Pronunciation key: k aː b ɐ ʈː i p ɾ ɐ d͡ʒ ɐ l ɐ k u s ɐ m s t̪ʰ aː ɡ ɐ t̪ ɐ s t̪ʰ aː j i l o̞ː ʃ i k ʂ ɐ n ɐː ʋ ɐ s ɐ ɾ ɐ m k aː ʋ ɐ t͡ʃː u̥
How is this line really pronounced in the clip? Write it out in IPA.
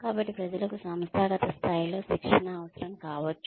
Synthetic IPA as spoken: k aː b ɐ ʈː i p ɾ ɐ d͡ʒ ɐ l ɐ k u s ɐ m s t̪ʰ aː ɡ ɐ t̪ ɐ s t̪ʰ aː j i l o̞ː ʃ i k ʂ ɐ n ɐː ʋ ɐ s ɐ ɾ ɐ m k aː ʋ ɐ t͡ʃː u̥

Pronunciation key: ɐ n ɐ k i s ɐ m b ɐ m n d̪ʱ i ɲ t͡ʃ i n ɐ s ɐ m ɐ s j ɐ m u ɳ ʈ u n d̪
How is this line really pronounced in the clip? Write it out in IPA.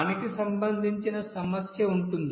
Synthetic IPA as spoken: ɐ n ɐ k i s ɐ m b ɐ n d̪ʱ i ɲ t͡ʃ i n ɐ s ɐ m ɐ s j ɐ u ɳ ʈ u n d̪

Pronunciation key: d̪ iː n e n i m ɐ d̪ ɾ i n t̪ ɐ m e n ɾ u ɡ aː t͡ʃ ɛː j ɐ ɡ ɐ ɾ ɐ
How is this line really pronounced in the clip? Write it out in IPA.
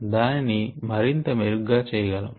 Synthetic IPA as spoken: d̪ aː n i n i m ɐ ɾ i n t̪ ɐ m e ɾ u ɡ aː t͡ʃ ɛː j ɐ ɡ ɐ l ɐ

